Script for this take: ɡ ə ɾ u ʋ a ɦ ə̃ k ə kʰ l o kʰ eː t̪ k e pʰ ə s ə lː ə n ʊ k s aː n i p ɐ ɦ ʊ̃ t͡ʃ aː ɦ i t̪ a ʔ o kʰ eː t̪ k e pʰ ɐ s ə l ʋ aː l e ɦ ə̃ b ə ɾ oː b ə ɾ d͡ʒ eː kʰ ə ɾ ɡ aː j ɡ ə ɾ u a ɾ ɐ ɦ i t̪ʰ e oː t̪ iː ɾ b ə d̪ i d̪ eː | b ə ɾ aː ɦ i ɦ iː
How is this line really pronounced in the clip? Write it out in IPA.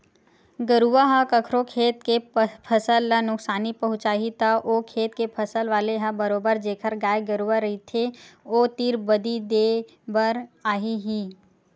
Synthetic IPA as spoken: ɡ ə ɾ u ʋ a ɦ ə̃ k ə kʰ ɾ o kʰ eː t̪ k e pʰ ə s ə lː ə n ʊ k s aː n i p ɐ ɦ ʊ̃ t͡ʃ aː ɦ i t̪ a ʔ o kʰ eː t̪ k e pʰ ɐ s ə l ʋ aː l e ɦ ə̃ b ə ɾ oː b ə ɾ d͡ʒ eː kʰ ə ɾ ɡ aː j ɡ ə ɾ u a ɾ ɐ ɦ i t̪ʰ e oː t̪ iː ɾ b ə d̪ i d̪ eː | b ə ɾ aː ɦ i ɦ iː